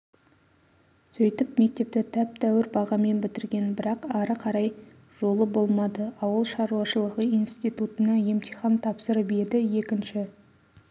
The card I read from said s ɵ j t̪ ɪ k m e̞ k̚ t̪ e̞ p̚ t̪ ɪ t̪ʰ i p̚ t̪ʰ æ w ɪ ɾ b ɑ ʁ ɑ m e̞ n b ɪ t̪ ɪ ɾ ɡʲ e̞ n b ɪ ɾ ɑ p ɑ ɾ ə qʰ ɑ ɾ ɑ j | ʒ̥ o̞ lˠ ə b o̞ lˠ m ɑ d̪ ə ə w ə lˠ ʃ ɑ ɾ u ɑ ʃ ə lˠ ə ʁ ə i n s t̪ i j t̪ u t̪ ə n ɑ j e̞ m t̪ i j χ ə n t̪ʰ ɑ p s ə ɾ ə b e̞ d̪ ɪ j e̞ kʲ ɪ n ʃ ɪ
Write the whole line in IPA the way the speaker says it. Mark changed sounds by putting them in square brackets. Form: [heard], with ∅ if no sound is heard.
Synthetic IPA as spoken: s ɵ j t̪ ɪ [p] m e̞ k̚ t̪ e̞ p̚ t̪ ɪ t̪ʰ [æ] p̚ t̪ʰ æ w ɪ ɾ b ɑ ʁ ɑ m e̞ n b ɪ t̪ ɪ ɾ ɡʲ e̞ n b ɪ ɾ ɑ [q] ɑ ɾ ə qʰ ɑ ɾ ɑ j | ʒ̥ o̞ lˠ ə b o̞ lˠ m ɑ d̪ ə [ɑ] w ə lˠ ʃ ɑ ɾ u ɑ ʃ ə lˠ ə ʁ ə i n s t̪ i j t̪ u t̪ ə n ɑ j e̞ m t̪ i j χ [ɑ] n t̪ʰ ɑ p s ə ɾ ə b e̞ d̪ ɪ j e̞ kʲ ɪ n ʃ ɪ